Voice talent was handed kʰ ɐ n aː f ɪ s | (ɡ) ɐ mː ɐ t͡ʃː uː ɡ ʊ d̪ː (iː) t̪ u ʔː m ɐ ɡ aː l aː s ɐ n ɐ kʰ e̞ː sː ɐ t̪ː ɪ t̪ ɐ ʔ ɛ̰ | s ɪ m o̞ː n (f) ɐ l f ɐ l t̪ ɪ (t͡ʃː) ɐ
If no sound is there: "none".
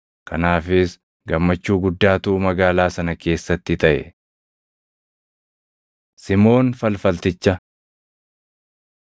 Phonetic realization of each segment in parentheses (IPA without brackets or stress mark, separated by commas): ɡ, aː, f, t͡ʃː